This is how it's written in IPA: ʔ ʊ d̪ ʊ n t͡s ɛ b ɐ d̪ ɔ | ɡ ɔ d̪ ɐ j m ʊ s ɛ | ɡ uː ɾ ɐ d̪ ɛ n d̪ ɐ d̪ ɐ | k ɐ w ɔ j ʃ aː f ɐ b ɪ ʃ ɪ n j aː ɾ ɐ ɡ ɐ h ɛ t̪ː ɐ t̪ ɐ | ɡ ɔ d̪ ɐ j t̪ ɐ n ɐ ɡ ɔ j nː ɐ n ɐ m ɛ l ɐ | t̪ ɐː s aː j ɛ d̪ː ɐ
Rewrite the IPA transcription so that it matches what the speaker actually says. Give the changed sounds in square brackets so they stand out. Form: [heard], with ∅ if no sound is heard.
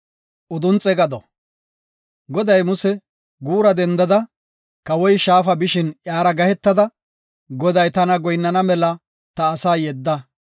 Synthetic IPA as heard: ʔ ʊ d̪ ʊ n [t͡sʼ] ɛ [ɡ] ɐ d̪ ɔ | ɡ ɔ d̪ ɐ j m ʊ s ɛ | ɡ uː ɾ ɐ d̪ ɛ n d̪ ɐ d̪ ɐ | k ɐ w ɔ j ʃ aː f ɐ b ɪ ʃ ɪ n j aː ɾ ɐ ɡ ɐ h ɛ t̪ː ɐ [d̪] ɐ | ɡ ɔ d̪ ɐ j t̪ ɐ n ɐ ɡ ɔ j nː ɐ n ɐ m ɛ l ɐ | t̪ ɐː s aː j ɛ d̪ː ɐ